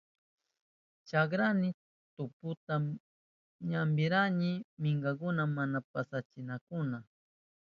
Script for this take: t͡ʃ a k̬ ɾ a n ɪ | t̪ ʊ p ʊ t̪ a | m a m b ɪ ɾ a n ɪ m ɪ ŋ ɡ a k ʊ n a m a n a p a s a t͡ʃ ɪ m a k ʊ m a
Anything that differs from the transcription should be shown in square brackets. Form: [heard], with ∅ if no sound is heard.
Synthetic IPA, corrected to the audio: t͡ʃ a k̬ ɾ a n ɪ | t̪ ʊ p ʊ t̪ a | [ɲ] a m b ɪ ɾ a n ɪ m ɪ ŋ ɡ a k ʊ n a m a n a p a s a t͡ʃ ɪ [n] a k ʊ [n] a